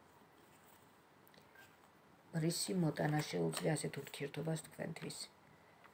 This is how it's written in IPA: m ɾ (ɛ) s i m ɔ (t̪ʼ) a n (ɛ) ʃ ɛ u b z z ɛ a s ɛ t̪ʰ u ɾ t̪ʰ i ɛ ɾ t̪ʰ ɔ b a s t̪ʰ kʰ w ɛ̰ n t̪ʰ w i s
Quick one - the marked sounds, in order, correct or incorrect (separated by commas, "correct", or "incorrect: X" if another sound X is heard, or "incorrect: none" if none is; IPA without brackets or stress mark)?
incorrect: i, correct, incorrect: a